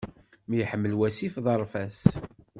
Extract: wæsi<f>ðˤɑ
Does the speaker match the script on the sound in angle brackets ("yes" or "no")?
yes